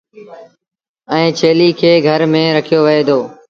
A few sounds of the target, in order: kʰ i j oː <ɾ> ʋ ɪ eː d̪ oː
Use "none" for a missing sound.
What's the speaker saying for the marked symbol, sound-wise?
none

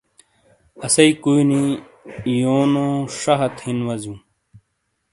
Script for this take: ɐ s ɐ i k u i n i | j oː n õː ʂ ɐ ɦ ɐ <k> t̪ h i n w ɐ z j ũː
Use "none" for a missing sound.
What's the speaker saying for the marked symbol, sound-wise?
none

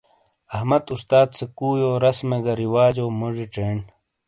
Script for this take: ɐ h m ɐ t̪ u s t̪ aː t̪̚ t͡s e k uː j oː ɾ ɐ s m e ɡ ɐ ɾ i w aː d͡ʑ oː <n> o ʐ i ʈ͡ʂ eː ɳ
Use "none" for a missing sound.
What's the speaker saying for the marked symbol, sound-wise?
m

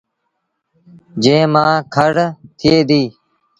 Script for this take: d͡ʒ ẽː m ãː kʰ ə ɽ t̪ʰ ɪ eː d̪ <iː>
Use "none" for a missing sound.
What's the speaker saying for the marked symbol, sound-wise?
iː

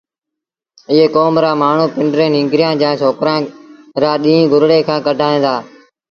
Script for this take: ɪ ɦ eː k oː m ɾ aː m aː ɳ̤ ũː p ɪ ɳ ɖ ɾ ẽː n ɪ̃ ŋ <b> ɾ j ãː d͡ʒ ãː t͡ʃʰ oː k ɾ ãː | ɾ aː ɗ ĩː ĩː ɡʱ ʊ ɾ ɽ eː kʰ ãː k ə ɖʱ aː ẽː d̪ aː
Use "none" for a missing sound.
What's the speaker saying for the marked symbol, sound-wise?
ɡ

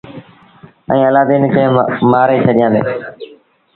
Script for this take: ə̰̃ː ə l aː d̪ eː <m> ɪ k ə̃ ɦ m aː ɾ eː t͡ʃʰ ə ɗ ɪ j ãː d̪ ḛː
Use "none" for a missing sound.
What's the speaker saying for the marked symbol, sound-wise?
n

